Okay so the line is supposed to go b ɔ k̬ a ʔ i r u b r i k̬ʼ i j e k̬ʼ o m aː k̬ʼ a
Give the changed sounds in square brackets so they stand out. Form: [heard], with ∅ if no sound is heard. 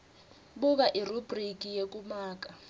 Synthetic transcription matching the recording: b [u] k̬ a ʔ i r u b r i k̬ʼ i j e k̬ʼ [u] m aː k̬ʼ a